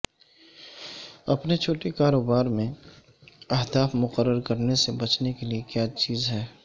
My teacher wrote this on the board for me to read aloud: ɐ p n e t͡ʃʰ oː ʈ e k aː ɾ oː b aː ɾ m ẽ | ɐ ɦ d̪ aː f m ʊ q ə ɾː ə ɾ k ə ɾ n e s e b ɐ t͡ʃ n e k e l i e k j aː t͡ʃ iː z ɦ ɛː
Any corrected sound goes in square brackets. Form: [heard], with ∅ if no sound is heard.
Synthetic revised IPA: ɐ p n e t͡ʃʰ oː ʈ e k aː ɾ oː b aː ɾ m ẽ | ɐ ɦ d̪ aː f m ʊ q ə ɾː ə ɾ k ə ɾ n e s e b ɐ t͡ʃ n e k e l i e k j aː t͡ʃ iː z ɦ ɛː